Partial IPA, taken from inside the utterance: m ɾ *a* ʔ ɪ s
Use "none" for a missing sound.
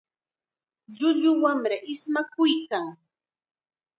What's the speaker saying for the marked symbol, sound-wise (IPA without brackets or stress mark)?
a